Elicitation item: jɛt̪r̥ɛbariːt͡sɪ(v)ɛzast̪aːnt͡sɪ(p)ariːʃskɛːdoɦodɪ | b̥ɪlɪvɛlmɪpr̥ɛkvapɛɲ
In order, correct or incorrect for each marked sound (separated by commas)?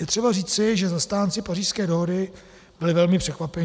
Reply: incorrect, correct